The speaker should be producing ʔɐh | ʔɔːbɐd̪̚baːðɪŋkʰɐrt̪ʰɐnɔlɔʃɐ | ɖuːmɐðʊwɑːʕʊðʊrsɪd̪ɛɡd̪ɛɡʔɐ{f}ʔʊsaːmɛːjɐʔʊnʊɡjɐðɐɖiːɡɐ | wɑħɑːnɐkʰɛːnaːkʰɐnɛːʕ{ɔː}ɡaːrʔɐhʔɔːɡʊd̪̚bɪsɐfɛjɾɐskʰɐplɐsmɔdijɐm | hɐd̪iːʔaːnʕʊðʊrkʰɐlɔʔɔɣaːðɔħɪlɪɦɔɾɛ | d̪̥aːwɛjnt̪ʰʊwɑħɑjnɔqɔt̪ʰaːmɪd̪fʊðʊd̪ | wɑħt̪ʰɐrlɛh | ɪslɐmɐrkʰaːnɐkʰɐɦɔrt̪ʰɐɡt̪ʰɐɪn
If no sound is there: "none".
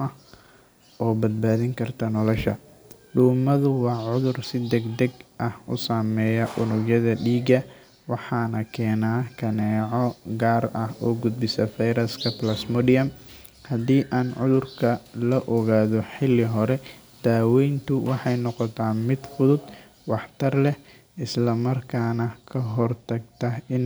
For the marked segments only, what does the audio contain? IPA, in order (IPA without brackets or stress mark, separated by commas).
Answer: h, ɔ